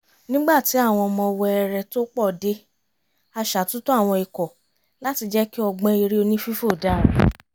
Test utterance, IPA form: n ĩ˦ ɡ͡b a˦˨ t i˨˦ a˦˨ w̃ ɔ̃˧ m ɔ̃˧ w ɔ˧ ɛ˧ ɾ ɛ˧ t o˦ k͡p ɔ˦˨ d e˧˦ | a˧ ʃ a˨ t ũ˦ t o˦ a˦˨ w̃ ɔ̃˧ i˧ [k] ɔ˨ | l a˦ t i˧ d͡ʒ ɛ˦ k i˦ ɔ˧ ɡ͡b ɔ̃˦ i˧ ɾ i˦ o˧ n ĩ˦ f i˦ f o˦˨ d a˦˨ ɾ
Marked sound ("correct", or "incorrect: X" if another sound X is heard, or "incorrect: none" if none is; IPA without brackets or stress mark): correct